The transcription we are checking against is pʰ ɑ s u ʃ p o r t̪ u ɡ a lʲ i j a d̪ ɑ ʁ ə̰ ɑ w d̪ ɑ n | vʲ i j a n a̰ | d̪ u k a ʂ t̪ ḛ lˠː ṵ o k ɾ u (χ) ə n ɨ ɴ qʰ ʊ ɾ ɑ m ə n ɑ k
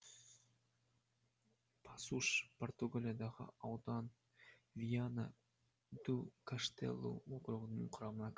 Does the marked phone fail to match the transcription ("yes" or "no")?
yes